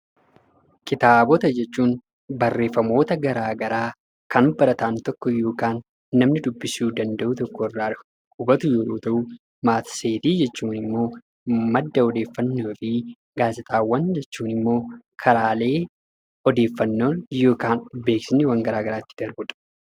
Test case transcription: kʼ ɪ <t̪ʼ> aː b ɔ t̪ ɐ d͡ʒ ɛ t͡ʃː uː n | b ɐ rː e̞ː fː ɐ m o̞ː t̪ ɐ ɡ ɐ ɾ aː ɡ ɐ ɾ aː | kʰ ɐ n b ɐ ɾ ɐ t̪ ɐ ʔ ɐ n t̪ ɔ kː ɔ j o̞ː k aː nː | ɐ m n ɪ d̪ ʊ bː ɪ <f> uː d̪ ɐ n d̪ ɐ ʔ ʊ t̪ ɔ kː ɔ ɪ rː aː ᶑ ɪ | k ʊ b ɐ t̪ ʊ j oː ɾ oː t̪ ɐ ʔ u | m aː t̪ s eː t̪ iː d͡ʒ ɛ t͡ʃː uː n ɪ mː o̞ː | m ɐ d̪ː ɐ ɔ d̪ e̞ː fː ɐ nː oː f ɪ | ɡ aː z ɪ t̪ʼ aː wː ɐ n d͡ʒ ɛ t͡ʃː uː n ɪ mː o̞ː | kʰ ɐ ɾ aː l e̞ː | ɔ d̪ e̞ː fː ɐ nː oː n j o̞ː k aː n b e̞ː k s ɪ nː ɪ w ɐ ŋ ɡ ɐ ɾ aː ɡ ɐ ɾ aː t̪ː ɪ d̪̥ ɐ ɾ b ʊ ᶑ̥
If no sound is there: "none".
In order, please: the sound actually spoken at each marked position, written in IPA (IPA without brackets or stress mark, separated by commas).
t̪, s